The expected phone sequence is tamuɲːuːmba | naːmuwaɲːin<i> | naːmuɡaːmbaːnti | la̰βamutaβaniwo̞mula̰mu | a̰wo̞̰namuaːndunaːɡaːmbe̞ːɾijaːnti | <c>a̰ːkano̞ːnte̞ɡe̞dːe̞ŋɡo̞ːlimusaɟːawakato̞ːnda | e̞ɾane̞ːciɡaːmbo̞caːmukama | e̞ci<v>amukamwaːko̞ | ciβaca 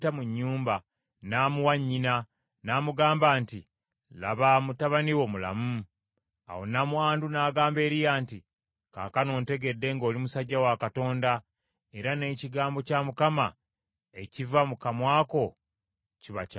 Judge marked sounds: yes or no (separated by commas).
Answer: no, no, yes